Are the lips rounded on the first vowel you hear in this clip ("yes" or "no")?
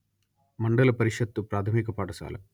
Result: no